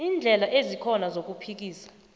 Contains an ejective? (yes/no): no